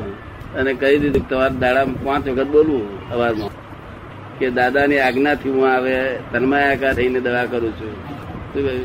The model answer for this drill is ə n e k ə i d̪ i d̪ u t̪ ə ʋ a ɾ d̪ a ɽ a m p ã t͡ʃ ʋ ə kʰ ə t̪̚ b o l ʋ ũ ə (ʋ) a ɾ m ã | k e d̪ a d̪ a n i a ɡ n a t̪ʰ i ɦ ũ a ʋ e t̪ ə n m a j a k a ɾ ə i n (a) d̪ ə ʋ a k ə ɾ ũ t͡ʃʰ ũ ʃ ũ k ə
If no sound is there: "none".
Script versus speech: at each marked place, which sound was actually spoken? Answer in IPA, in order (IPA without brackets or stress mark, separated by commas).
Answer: ʋ, e